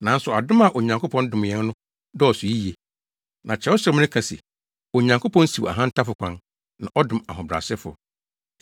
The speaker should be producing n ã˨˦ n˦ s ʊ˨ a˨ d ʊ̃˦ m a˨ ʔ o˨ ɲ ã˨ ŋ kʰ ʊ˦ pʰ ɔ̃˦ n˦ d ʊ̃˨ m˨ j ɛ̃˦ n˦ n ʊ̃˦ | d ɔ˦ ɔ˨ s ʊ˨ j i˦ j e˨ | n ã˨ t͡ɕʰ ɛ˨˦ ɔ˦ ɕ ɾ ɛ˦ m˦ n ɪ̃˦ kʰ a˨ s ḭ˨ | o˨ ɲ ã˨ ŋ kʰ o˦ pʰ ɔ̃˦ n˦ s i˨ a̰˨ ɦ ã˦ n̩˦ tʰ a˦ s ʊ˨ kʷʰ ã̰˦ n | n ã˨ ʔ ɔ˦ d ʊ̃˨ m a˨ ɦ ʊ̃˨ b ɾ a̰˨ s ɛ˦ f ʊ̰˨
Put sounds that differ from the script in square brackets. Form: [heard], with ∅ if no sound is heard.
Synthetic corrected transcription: n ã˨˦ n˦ s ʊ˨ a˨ d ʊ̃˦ m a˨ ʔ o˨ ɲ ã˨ ŋ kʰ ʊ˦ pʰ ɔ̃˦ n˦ d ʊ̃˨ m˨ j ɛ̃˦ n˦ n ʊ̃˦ | d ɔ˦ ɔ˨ s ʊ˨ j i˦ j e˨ | n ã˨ t͡ɕʰ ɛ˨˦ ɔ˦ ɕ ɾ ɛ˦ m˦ n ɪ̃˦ kʰ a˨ s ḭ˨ | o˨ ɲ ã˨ ŋ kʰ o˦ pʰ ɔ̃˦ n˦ s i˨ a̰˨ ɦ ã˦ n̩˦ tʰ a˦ [f] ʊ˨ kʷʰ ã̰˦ n | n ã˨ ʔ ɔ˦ d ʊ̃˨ m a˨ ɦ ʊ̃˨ b ɾ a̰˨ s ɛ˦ f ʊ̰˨

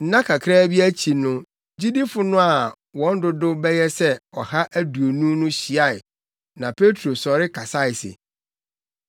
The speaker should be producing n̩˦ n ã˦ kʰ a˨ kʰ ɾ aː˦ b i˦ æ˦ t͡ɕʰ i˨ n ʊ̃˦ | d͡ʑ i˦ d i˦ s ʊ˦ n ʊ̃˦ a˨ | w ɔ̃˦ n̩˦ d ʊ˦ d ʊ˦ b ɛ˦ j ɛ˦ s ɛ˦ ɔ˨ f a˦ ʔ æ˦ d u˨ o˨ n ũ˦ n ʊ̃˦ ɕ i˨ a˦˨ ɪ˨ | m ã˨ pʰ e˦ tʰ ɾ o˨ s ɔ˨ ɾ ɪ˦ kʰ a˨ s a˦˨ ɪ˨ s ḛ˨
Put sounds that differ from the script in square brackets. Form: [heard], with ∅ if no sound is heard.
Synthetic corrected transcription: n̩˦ n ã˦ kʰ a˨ kʰ ɾ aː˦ b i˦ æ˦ t͡ɕʰ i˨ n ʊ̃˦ | d͡ʑ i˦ d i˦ [f] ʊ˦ n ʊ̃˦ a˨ | w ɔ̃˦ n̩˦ d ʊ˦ d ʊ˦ b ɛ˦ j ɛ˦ s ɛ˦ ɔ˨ [h] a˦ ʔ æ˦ d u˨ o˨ n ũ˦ n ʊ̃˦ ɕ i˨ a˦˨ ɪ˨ | [n] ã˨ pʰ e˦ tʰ ɾ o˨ s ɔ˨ ɾ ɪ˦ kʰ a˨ s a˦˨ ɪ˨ s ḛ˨

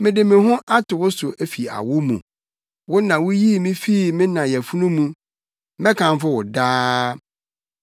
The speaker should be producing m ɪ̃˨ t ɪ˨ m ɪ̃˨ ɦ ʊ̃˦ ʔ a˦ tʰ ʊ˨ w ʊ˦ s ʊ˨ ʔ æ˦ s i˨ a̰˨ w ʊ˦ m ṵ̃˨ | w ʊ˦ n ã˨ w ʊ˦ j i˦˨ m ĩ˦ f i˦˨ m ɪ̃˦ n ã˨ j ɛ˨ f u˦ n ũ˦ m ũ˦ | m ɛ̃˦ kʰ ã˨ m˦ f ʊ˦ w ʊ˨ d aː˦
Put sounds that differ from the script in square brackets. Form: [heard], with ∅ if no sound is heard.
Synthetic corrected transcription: m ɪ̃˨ [d] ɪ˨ m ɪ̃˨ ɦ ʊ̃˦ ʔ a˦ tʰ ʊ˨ w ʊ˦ s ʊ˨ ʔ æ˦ [f] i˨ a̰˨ w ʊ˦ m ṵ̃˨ | w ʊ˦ n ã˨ w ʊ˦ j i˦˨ m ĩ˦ f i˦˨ m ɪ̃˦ n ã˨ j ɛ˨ f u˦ n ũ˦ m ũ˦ | m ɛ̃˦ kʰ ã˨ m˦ f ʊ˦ w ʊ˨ d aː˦

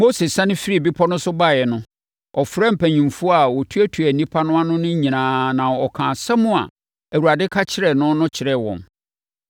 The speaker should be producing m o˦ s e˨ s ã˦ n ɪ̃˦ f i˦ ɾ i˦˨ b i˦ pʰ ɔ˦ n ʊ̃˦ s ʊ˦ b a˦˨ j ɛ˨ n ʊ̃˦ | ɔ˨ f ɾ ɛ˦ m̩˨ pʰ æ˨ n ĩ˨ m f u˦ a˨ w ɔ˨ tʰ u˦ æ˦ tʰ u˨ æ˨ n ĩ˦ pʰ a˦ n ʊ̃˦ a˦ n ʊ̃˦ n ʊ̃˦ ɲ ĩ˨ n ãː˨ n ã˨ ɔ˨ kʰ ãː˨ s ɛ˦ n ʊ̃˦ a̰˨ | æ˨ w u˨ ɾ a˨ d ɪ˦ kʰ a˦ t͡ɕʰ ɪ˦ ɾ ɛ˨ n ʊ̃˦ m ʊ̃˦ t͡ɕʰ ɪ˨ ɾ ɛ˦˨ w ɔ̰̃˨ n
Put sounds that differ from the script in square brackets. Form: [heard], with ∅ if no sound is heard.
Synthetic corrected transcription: m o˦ s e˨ s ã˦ n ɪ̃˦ f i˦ ɾ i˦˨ b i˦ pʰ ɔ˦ n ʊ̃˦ s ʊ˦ b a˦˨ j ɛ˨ n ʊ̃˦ | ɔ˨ f ɾ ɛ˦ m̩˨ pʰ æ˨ [ɲ] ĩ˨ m f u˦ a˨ w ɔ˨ tʰ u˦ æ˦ tʰ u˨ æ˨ n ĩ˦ pʰ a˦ n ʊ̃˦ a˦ n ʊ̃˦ n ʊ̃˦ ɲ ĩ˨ n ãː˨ n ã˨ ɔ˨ kʰ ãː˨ s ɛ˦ [m] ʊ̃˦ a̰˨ | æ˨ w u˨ ɾ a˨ d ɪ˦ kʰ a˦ t͡ɕʰ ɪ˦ ɾ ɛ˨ n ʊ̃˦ [n] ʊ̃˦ t͡ɕʰ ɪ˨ ɾ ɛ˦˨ w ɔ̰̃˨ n

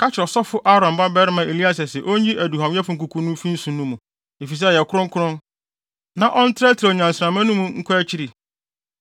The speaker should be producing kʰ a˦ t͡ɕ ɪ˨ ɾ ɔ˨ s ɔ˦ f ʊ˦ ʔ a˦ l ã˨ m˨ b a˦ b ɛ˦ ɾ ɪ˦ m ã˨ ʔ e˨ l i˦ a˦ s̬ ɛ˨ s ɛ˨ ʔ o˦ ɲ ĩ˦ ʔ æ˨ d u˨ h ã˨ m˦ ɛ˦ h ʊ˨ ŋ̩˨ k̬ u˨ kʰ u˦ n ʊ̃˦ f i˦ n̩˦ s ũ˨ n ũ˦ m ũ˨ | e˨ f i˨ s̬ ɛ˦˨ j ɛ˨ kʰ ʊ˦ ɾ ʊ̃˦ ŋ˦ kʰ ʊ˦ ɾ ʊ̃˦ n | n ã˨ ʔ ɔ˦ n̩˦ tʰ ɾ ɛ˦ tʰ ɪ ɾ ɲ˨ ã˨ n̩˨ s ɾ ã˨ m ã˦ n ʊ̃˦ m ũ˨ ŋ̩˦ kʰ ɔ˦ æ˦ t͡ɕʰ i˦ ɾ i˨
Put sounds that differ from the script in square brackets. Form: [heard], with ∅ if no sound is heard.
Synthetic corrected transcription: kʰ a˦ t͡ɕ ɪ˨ ɾ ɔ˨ s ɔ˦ f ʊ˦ ʔ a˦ [ɾ] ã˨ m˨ b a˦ b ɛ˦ ɾ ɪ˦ m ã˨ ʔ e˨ l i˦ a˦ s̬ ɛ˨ s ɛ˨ ʔ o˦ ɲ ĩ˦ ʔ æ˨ d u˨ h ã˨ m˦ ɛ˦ [f] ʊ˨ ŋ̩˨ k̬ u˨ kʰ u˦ n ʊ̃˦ f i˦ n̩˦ s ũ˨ n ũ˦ m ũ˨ | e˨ f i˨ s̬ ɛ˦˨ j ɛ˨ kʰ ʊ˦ ɾ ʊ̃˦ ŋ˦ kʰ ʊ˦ ɾ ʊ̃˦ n | n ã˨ ʔ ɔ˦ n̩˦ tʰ ɾ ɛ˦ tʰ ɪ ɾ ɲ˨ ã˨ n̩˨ s ɾ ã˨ m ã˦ n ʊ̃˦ m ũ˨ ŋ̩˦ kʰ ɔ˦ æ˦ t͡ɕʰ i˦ ɾ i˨

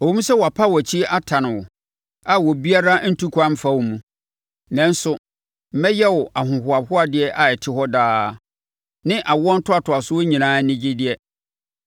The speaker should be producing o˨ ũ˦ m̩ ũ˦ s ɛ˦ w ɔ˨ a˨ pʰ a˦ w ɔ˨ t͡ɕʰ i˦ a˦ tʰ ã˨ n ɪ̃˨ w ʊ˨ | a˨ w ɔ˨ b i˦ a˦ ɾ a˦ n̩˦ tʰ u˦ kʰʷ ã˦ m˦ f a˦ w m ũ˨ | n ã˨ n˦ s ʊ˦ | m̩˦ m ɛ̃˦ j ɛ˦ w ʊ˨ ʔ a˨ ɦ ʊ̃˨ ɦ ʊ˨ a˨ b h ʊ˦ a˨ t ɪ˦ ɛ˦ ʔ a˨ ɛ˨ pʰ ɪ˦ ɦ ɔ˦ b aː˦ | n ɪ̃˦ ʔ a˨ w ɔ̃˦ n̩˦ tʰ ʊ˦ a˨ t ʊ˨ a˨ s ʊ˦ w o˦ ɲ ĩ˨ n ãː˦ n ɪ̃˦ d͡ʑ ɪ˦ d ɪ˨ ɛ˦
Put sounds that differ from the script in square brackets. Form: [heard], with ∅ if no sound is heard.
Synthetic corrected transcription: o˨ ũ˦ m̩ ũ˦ s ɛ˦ w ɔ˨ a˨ pʰ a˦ w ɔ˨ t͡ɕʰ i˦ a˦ tʰ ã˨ n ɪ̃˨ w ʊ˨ | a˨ w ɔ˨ b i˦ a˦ ɾ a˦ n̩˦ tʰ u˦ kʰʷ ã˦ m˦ f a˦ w m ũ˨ | n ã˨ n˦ s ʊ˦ | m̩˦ m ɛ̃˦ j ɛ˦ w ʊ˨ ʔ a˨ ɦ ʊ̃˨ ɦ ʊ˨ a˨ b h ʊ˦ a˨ [d] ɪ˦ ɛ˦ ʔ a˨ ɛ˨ [tʰ] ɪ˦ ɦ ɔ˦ [d] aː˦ | n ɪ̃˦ ʔ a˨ w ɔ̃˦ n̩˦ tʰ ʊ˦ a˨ t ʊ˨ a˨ s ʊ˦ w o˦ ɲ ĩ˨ n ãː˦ n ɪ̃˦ d͡ʑ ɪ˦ d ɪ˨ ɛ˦

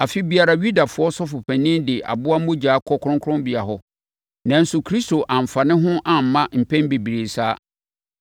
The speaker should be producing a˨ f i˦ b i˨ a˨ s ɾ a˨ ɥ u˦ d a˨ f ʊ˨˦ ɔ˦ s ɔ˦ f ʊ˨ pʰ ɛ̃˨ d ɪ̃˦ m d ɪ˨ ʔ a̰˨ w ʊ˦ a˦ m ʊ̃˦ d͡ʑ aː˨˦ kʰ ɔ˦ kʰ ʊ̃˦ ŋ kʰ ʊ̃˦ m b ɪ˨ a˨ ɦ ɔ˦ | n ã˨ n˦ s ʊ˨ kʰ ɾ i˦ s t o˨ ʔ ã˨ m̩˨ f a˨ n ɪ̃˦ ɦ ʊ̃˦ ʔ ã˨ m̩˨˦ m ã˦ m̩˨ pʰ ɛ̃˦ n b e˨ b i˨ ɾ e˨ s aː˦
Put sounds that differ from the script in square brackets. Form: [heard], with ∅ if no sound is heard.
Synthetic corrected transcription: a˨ f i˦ b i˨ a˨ [∅] ɾ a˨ ɥ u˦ d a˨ f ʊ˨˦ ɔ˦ s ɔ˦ f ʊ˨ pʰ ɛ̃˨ [n] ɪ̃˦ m d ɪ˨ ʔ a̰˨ [b] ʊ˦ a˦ m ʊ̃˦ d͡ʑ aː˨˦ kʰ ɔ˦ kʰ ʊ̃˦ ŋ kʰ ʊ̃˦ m b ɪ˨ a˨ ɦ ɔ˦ | n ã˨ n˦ s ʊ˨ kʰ ɾ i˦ s t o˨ ʔ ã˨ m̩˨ f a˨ n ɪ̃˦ ɦ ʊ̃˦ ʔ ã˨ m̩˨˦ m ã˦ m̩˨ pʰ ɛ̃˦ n b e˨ b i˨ ɾ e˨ s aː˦

